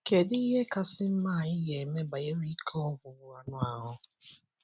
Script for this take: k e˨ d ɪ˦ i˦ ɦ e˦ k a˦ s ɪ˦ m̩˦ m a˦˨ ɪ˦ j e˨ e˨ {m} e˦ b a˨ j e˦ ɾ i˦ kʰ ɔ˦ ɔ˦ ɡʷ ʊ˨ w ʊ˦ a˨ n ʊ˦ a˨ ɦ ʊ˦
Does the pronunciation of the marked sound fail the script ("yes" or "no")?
no